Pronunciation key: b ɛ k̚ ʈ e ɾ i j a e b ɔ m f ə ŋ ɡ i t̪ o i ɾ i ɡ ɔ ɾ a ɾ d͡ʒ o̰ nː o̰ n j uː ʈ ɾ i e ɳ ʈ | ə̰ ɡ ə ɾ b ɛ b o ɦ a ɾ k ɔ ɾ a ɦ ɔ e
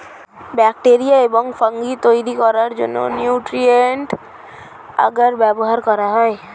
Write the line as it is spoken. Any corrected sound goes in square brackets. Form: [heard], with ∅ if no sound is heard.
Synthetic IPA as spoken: b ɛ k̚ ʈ e ɾ i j a e b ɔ [ŋ] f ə ŋ ɡ i t̪ o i ɾ i [k] ɔ ɾ a ɾ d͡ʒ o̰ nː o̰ n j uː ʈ ɾ i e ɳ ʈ | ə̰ ɡ ə ɾ b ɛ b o ɦ a ɾ k ɔ ɾ a ɦ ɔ e